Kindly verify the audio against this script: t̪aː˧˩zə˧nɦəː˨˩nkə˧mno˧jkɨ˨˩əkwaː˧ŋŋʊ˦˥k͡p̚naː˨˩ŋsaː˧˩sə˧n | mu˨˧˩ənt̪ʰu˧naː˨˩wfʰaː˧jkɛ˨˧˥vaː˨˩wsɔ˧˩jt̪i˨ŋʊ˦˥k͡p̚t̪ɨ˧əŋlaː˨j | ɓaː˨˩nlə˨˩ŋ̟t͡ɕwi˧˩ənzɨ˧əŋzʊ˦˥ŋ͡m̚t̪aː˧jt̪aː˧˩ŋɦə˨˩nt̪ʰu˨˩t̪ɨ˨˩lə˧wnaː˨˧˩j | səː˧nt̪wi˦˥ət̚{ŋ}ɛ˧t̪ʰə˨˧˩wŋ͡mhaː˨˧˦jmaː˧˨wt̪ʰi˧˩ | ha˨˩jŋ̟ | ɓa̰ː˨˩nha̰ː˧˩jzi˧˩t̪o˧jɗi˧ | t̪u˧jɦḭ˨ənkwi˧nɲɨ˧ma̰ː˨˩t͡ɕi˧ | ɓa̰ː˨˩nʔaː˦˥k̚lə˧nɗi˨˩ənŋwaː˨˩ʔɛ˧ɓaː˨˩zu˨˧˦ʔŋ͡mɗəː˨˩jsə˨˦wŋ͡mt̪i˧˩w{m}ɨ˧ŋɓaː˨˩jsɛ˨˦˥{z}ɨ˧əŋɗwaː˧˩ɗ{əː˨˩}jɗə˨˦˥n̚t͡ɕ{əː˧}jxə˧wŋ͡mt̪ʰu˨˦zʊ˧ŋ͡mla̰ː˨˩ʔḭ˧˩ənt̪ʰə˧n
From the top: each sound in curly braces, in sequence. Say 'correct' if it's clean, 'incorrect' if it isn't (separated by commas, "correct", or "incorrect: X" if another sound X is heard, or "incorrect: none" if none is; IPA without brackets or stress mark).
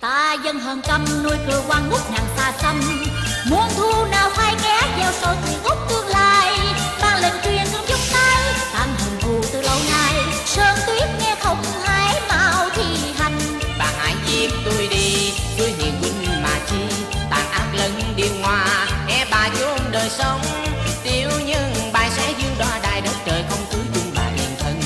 correct, incorrect: ɲ, correct, incorrect: aː˨˩, incorrect: əː˨˩